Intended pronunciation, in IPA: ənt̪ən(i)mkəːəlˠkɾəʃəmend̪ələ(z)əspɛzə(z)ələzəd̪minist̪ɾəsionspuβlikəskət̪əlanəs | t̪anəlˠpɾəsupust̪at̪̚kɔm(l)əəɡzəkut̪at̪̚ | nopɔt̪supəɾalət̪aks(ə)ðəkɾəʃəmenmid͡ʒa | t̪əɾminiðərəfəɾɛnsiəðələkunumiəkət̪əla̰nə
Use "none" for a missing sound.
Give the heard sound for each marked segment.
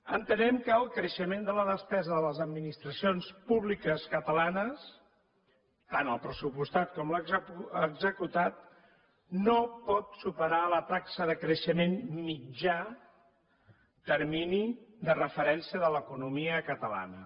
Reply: ɛ, ð, ð, l, ə

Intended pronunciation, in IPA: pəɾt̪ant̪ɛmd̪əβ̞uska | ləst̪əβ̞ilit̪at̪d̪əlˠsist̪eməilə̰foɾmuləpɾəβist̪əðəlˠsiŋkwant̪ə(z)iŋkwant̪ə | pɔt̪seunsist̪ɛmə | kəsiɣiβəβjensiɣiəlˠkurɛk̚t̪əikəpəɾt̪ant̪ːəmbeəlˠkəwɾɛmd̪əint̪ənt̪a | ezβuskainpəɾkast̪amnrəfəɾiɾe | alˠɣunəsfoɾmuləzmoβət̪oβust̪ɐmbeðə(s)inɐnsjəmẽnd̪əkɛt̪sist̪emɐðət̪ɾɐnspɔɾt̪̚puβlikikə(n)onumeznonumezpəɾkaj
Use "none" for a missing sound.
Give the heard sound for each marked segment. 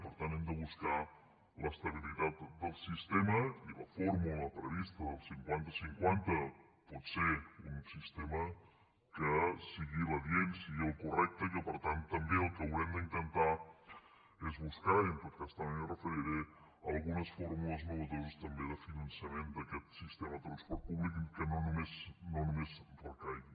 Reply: s, f, n

